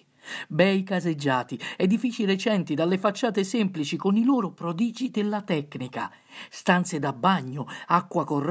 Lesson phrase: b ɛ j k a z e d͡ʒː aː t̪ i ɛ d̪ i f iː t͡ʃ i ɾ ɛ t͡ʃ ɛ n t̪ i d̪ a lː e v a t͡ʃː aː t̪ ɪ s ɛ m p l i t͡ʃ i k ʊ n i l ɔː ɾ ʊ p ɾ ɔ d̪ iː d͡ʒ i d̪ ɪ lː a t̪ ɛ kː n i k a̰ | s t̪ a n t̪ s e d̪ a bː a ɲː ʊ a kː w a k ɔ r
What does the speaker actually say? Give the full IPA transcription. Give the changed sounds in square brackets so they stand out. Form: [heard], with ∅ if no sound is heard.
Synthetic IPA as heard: b ɛ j k a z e d͡ʒː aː t̪ i ɛ d̪ i f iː t͡ʃ i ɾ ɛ t͡ʃ ɛ n t̪ i d̪ a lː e [f] a t͡ʃː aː t̪ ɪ s ɛ m p l i t͡ʃ i k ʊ n i l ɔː ɾ ʊ p ɾ ɔ d̪ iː d͡ʒ i d̪ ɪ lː a t̪ ɛ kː n i k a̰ | s t̪ a n t̪ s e d̪ a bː a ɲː ʊ a kː w a k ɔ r